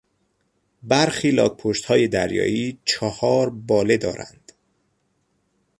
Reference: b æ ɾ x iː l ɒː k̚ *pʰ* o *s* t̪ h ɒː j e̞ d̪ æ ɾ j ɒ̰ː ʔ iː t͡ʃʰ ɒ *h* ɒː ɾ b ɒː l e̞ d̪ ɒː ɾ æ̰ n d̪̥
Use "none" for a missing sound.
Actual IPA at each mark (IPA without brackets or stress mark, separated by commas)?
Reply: pʰ, ʃ, h